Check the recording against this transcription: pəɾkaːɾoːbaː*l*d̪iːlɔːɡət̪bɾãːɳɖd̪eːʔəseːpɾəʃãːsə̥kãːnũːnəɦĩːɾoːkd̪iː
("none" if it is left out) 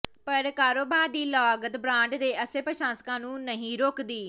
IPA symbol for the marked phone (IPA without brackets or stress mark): ɾ